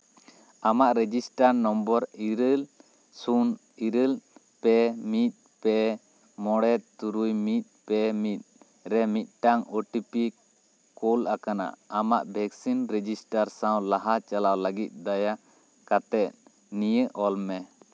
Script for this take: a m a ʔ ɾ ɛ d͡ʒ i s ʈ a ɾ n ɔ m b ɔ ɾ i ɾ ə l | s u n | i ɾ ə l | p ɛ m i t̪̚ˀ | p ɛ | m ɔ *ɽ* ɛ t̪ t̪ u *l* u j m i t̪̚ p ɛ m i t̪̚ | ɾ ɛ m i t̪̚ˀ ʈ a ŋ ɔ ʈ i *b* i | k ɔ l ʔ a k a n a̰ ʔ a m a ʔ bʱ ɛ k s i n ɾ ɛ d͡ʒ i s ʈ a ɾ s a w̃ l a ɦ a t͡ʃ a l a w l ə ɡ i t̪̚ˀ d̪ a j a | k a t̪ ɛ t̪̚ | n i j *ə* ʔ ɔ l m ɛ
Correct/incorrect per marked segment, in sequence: correct, incorrect: ɾ, incorrect: p, correct

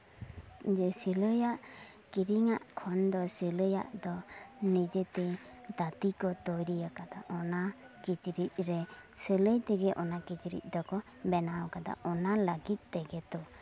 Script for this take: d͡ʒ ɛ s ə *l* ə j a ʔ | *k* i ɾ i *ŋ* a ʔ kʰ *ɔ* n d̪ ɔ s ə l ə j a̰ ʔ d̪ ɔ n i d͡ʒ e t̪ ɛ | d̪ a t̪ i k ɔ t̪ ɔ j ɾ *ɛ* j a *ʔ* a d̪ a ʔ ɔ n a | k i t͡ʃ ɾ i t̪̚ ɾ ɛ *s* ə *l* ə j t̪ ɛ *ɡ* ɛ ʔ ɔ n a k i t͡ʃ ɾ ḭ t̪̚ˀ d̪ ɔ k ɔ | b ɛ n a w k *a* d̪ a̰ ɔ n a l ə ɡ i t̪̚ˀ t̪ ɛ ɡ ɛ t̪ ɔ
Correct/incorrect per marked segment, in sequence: correct, correct, correct, correct, incorrect: i, incorrect: k, correct, correct, correct, correct

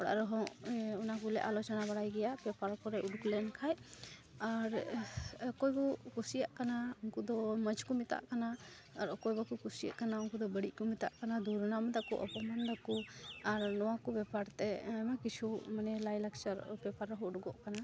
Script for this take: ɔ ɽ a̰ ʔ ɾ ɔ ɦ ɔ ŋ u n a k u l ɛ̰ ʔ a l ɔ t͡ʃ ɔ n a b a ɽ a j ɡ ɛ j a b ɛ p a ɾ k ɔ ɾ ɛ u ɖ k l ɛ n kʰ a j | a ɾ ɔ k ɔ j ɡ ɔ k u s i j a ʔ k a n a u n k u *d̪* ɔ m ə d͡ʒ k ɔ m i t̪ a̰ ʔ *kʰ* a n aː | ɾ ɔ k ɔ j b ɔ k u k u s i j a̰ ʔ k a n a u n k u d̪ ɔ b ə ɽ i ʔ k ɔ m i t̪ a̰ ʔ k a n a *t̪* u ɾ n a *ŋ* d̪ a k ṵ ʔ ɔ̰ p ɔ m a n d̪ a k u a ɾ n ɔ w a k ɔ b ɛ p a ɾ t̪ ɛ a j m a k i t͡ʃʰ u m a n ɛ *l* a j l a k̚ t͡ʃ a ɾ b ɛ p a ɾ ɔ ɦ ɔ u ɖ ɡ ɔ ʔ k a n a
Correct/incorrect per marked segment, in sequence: correct, incorrect: k, incorrect: d̪, incorrect: m, correct

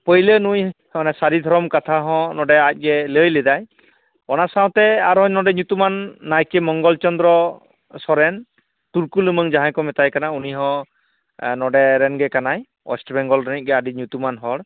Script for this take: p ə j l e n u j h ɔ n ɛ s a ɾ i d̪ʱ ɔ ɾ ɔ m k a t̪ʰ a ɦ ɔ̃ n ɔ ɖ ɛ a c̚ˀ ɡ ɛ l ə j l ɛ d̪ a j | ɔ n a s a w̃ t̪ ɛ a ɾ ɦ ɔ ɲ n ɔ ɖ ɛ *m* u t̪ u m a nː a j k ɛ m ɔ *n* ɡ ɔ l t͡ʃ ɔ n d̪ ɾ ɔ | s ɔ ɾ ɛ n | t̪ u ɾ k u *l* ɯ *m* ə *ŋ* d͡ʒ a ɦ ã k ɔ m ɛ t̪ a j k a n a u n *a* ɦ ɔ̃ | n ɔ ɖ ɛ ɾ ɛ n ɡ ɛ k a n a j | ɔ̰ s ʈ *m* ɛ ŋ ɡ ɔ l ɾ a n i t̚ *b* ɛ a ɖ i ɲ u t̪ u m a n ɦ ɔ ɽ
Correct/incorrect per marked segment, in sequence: incorrect: ɲ, incorrect: ŋ, correct, correct, correct, incorrect: i, incorrect: b, incorrect: ɡ

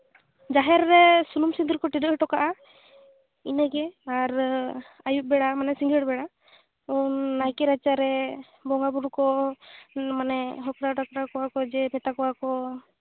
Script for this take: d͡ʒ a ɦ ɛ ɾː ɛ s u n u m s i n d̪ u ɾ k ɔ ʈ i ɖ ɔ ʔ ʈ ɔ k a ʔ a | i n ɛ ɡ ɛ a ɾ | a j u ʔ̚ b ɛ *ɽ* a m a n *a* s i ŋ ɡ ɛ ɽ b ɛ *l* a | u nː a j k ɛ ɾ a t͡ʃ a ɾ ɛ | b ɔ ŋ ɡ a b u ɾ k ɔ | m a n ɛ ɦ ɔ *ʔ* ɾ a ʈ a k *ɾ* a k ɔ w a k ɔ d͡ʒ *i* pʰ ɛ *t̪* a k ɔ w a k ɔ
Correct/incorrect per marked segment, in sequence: correct, incorrect: ɛ, incorrect: ɽ, incorrect: k, correct, incorrect: ɛ, correct

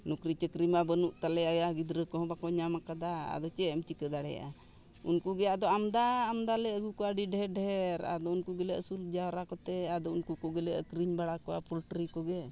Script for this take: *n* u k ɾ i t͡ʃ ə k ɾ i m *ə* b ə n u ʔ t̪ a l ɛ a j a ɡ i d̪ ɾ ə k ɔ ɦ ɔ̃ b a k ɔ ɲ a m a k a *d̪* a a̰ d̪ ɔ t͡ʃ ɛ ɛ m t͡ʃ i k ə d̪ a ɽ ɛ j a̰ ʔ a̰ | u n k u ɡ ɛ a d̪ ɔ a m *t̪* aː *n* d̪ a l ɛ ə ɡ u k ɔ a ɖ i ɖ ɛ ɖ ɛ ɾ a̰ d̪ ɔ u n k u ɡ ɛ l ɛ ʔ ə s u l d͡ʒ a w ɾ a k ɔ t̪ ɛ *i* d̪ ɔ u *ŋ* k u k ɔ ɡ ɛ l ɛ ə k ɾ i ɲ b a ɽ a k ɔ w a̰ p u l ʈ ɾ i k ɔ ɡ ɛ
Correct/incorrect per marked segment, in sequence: correct, incorrect: a, correct, incorrect: d̪, incorrect: m, incorrect: a, incorrect: n

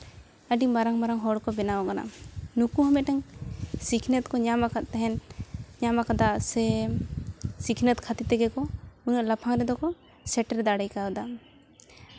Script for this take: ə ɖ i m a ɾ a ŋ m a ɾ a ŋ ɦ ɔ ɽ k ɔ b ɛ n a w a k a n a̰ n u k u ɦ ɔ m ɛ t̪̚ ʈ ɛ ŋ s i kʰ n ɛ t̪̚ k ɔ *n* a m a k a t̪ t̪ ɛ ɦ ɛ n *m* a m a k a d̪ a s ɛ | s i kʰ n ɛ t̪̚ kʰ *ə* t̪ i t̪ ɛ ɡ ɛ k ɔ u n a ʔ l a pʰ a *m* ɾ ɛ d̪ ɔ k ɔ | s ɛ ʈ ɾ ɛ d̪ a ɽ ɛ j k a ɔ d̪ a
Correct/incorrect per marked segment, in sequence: incorrect: ɲ, incorrect: ɲ, incorrect: a, incorrect: ŋ

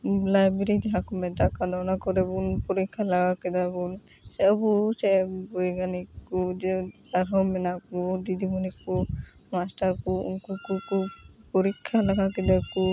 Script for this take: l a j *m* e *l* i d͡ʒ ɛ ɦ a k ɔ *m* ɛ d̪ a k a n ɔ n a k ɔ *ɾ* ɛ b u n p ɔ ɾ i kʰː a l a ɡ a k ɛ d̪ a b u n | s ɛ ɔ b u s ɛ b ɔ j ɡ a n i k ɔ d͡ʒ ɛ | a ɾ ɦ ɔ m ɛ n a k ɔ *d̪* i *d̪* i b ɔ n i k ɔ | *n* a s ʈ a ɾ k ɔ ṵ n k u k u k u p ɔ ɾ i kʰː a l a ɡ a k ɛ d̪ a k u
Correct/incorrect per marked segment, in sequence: incorrect: b, incorrect: ɾ, correct, correct, correct, correct, incorrect: m

